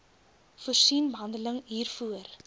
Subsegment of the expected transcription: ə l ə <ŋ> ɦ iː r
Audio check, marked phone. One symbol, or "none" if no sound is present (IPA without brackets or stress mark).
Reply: ŋ